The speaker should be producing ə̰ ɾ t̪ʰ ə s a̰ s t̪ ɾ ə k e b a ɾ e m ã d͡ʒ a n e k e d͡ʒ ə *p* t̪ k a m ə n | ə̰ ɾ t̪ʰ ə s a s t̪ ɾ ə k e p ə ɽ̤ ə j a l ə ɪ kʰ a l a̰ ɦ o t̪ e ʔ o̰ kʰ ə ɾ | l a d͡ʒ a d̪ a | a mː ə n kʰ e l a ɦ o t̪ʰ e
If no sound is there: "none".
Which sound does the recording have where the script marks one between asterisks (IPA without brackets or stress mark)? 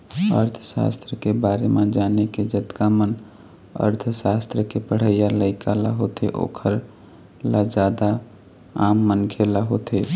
none